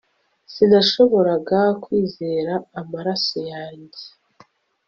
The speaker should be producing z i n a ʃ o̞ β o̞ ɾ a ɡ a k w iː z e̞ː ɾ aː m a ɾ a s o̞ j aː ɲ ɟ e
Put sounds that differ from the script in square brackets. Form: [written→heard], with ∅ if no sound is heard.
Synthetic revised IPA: [z→s] i n a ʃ o̞ β o̞ ɾ a ɡ a k w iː z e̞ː ɾ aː m a ɾ a s o̞ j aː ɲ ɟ e